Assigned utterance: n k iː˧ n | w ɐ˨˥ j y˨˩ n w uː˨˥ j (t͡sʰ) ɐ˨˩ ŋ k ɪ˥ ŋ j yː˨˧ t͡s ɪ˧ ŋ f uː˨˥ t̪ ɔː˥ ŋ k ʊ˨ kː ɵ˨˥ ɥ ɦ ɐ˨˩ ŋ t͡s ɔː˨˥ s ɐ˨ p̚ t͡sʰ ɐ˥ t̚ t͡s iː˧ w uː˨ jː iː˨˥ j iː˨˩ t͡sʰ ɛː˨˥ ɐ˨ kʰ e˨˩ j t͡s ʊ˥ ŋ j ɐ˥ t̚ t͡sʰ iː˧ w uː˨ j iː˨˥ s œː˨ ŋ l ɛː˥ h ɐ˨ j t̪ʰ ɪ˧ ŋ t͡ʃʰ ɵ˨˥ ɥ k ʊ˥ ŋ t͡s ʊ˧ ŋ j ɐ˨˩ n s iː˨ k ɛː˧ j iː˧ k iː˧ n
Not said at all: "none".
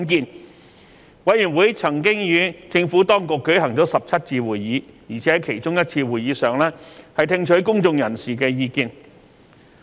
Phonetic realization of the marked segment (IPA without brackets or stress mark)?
t͡sʰ